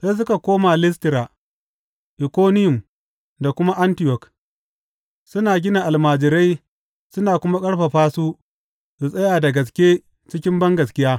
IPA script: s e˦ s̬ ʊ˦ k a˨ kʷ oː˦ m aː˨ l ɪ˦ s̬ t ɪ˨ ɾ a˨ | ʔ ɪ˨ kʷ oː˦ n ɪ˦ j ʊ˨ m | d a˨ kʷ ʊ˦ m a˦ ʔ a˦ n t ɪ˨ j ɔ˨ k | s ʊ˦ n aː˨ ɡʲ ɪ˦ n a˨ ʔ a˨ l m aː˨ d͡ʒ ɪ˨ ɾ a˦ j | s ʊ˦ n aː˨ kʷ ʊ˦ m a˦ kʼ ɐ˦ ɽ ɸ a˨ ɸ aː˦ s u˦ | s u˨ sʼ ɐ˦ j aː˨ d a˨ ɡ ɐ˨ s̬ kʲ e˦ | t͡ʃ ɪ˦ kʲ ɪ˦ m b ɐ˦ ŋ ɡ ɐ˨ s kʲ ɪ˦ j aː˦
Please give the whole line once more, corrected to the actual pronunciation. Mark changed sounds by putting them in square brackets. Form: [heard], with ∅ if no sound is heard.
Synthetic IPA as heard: s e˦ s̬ ʊ˦ k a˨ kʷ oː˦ m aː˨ l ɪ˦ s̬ t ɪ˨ ɾ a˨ | ʔ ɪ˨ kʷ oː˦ n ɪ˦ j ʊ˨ m | d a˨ kʷ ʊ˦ m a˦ ʔ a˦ n t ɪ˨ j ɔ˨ k | s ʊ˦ n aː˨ ɡʲ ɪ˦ n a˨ ʔ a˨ l m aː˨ d͡ʒ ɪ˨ ɾ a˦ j | s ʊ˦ n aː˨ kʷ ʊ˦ m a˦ kʼ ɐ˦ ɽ ɸ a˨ ɸ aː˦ s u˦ | s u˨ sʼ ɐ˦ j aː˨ d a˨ ɡ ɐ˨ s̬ kʲ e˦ | t͡ʃ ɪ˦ kʲ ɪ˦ m b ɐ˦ ŋ ɡ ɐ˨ s kʲ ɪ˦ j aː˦